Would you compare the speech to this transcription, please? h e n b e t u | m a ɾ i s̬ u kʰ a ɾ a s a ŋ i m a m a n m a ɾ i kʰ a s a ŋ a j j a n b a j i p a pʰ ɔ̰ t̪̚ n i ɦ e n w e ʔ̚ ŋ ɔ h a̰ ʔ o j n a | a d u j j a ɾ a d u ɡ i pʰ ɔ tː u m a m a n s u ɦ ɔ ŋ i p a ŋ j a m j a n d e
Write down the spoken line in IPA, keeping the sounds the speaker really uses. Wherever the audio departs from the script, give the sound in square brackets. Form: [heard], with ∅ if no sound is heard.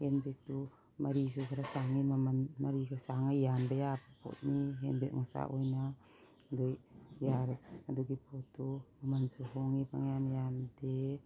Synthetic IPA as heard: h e n b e t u | m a ɾ i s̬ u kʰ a ɾ a s a ŋ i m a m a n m a ɾ i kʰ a s a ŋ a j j a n b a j [a] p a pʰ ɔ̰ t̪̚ n i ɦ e n [b] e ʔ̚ ŋ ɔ [s] a̰ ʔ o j n a | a d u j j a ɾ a d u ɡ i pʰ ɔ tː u m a m a n s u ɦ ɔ ŋ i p a ŋ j a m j a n d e